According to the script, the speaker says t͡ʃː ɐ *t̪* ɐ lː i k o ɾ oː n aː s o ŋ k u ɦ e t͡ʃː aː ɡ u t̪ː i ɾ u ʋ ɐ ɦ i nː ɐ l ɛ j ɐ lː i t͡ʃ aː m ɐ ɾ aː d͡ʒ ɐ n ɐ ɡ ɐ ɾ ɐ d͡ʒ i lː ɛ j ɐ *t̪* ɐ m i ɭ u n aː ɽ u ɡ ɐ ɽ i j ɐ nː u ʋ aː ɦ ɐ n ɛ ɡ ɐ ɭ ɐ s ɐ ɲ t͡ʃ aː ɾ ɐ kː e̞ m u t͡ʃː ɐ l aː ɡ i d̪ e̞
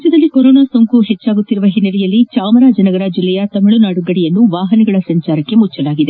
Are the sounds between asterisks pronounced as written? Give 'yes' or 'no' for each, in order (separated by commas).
no, yes